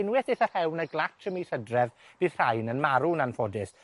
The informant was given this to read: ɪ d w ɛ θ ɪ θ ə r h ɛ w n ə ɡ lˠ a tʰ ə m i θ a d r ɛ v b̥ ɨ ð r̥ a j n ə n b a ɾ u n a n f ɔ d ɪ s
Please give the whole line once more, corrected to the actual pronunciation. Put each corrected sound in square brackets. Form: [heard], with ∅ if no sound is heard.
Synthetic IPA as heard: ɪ [n] w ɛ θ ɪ θ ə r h ɛ w n ə ɡ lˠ a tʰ ə m i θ [ə] d r ɛ v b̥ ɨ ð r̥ a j n ə n [m] a ɾ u n a n f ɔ d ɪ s